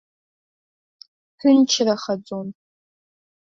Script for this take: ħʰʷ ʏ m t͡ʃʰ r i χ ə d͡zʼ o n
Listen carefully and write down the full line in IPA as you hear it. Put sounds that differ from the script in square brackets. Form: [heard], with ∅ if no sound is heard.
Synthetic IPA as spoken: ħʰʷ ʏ [n] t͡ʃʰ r [a] χ [a] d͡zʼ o n

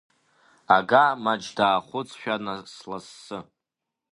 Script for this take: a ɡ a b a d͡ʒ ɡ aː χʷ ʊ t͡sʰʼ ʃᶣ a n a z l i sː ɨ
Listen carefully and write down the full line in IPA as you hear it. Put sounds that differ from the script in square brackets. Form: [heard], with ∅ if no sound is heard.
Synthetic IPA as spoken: a ɡ a [m] a d͡ʒ [d] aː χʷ ʊ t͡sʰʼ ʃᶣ a n a [s] l [a] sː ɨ

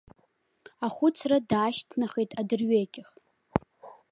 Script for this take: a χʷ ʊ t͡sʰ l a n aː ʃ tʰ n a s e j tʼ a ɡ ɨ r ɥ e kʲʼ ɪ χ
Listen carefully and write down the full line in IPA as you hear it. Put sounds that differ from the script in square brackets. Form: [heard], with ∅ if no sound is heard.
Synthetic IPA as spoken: a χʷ ʊ t͡sʰ [r] a [d] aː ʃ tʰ n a [χ] e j tʼ a [d] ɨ r ɥ e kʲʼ ɪ χ

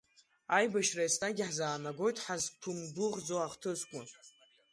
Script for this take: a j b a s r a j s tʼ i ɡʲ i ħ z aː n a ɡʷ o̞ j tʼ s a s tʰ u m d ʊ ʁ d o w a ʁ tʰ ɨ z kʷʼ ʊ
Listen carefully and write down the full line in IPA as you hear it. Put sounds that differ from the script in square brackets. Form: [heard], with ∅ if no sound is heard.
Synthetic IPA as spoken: a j b a [ʃ] r a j s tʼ [a] ɡʲ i ħ z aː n a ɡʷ o̞ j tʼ [ħ] a [z] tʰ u m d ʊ ʁ [d͡z] o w a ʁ tʰ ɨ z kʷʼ ʊ

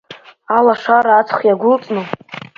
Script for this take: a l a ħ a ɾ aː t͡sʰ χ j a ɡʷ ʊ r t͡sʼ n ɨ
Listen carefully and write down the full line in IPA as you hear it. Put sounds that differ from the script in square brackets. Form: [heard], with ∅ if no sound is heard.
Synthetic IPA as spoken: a l a [ʂ] a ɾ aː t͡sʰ χ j a ɡʷ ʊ [l] t͡sʼ n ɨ

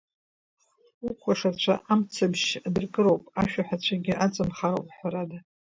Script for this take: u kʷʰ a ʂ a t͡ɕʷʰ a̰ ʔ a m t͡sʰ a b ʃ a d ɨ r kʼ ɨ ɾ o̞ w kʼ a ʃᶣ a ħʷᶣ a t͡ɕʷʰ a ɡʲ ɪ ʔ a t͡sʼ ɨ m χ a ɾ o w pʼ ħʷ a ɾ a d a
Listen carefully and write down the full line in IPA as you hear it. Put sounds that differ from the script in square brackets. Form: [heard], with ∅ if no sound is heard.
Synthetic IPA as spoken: u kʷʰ a ʂ a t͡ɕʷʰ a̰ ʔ a m t͡sʰ a b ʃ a d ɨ r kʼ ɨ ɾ o̞ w [pʼ] a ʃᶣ a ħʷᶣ a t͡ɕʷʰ a ɡʲ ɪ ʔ a t͡sʼ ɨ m χ a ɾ o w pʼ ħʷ a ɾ a d a

